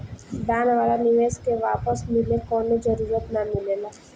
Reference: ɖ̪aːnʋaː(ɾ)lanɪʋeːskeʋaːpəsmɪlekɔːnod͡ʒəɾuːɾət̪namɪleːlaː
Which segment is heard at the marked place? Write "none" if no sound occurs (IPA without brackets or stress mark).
none